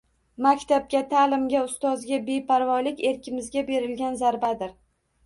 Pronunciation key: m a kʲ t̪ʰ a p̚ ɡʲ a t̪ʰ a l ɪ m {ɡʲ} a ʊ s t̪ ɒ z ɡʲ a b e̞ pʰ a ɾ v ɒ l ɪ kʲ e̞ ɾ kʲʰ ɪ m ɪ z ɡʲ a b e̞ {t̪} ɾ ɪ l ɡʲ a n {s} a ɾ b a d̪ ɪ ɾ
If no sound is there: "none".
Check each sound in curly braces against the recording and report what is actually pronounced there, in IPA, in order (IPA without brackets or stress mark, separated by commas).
ɡʲ, none, z